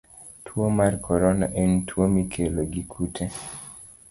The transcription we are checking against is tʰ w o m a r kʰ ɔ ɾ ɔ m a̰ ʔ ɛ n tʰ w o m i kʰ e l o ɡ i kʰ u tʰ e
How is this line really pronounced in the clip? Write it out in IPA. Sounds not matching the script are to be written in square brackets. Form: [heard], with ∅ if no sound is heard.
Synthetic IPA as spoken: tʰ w o m a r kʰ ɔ ɾ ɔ [n] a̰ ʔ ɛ n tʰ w o m i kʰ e l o ɡ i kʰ u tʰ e